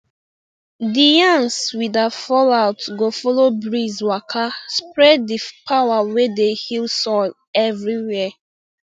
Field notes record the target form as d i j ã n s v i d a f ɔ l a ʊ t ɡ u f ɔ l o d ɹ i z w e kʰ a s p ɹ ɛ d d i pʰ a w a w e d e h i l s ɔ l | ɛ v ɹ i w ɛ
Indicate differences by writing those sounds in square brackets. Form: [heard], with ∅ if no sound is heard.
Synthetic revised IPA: d i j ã n s [w] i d a f ɔ l a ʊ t ɡ [o] f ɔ l o [b] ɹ i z w [a] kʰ a s p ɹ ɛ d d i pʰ a w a w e d e h i l s ɔ l | ɛ v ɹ i w ɛ

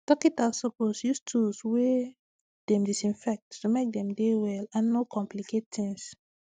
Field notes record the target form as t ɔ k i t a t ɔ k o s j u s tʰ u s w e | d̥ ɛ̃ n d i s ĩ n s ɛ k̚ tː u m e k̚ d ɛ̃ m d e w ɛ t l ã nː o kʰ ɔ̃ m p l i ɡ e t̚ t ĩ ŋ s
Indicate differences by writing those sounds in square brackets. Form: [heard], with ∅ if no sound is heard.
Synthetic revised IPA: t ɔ k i t a [s] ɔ [p] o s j u s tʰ u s w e | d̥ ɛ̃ [m] d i s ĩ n [f] ɛ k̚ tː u m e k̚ d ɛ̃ m d e w ɛ [∅] l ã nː o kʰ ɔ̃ m p l i [k] e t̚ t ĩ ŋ s

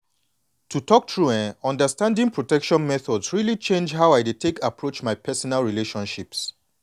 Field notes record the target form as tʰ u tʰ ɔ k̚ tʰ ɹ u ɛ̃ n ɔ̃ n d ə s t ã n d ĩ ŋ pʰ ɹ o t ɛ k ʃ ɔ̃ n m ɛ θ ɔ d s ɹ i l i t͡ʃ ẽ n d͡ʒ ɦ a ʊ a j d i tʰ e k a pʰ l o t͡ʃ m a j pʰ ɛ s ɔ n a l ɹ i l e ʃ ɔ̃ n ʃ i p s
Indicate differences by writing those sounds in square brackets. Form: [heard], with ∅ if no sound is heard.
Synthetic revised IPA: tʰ u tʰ ɔ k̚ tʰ ɹ u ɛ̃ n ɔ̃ n d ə s t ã n d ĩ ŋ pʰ ɹ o t ɛ k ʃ ɔ̃ n m ɛ θ ɔ d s ɹ i l i t͡ʃ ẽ n d͡ʒ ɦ a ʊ a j d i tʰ e k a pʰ [ɹ] o t͡ʃ m a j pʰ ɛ s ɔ n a l ɹ i l e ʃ ɔ̃ n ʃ i p s

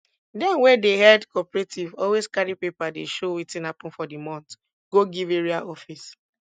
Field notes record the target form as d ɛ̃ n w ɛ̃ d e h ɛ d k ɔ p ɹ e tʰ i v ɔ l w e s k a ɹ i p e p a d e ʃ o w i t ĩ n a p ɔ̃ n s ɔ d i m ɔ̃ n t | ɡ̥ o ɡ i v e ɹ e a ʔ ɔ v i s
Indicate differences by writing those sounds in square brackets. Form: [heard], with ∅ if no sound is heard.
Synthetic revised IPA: d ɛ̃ n w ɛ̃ d e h ɛ d k ɔ p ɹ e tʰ i v ɔ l w e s k a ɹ i p e p a d e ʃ o w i t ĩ n a p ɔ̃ n [f] ɔ d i m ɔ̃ n t | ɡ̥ o ɡ i v e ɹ [i] a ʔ ɔ [f] i s

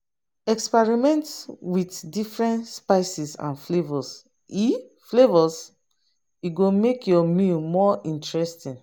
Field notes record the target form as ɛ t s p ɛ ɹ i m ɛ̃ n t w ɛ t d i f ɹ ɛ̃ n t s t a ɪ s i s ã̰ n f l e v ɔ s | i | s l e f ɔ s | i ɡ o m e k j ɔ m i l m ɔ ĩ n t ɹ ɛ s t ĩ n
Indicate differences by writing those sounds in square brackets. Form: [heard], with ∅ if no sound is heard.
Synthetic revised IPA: ɛ [k] s p ɛ ɹ i m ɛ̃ n t w [i] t d i f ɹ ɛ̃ n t s [p] a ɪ s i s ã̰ n f l e v ɔ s | i | [f] l e [v] ɔ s | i ɡ o m e k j ɔ m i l m ɔ ĩ n t ɹ ɛ s t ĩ n

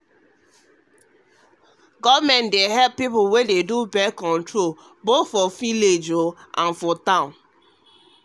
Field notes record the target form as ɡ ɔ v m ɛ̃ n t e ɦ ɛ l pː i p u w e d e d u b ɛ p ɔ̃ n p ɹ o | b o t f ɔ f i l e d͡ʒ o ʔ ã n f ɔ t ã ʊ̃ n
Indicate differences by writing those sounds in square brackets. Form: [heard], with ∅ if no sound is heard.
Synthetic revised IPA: ɡ ɔ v m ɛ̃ n [d] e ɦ ɛ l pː i p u w e d e d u b ɛ [k] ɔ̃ n [t] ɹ o | b o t f ɔ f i l e d͡ʒ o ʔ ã n f ɔ t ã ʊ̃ n

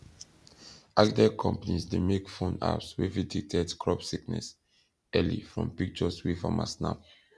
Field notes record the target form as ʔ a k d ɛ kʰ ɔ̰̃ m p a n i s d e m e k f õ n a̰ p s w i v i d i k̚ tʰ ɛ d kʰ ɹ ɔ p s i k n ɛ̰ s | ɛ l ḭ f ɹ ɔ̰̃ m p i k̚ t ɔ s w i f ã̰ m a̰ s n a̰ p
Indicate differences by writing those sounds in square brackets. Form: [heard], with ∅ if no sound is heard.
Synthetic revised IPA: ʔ a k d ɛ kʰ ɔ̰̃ m p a n i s d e m e k f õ n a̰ p s w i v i d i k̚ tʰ ɛ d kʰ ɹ ɔ p s i k n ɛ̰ s | ɛ l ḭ f ɹ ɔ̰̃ m p i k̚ [t͡ʃ] ɔ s w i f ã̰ m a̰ s n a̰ p

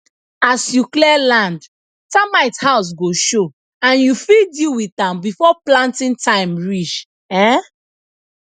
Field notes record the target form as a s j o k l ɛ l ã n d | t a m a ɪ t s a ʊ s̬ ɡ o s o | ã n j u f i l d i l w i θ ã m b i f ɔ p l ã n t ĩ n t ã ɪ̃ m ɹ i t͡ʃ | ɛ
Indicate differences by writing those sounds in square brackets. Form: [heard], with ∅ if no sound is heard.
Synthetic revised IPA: a s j [u] k l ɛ l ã n d | t a m a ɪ t [h] a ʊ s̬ ɡ o [ʃ] o | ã n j u f i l d i l w i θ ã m b i f ɔ p l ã n t ĩ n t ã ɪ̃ m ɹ i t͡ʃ | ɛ

